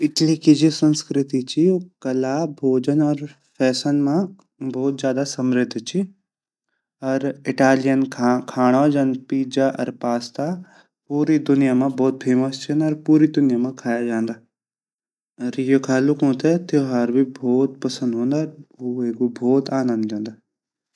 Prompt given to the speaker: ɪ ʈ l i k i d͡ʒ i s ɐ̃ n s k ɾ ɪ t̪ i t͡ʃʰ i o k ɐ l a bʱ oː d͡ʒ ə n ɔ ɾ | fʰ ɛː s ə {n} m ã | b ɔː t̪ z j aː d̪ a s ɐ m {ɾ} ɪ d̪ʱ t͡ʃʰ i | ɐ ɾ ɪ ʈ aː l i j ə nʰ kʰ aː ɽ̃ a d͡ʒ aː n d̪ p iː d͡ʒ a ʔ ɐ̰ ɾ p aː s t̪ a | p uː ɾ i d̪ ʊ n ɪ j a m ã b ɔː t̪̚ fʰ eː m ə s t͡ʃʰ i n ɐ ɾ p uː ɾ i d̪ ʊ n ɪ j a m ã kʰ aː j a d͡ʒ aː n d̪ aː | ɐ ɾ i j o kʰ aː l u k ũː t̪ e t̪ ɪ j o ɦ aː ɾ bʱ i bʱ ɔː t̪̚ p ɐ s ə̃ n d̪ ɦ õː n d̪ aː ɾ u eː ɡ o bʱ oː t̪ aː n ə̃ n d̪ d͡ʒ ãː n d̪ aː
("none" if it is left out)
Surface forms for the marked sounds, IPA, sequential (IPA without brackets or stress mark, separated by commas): n, ɾ